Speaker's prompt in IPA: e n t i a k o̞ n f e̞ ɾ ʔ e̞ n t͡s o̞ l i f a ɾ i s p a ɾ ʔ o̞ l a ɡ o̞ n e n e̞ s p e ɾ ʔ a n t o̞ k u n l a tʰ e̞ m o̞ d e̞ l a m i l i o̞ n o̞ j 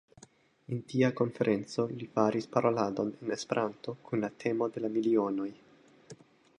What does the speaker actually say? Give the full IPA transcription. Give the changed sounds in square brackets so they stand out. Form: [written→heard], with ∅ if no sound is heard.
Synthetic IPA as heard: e n t i a k o̞ n f e̞ ɾ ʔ e̞ n t͡s o̞ l i f a ɾ i s p a ɾ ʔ o̞ l a [ɡ→d] o̞ n e n e̞ s p e ɾ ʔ a n t o̞ k u n l a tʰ e̞ m o̞ d e̞ l a m i l i o̞ n o̞ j